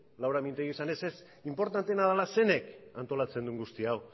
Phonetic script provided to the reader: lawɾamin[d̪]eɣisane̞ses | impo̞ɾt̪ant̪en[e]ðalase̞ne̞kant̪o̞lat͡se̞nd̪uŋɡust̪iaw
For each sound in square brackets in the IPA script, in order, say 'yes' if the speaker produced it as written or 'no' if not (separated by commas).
no, no